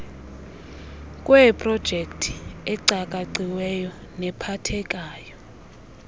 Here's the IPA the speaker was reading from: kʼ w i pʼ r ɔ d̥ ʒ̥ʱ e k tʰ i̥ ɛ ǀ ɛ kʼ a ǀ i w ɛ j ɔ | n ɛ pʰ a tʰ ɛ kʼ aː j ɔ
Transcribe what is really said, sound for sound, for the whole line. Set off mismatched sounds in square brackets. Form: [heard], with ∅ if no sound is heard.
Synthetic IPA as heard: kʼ w [ɛ] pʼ r ɔ d̥ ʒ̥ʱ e k tʰ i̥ ɛ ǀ [a] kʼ a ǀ i w ɛ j ɔ | n ɛ pʰ a tʰ ɛ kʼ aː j ɔ